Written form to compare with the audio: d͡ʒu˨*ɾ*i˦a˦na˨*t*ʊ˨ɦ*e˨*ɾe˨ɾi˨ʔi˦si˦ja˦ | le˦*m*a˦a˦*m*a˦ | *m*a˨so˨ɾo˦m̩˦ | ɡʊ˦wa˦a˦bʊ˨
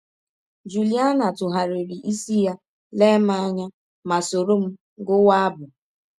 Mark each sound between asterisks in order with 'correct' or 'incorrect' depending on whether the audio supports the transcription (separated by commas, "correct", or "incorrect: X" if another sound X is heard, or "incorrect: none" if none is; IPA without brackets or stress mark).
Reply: incorrect: l, correct, incorrect: a˨, correct, incorrect: ɲ, correct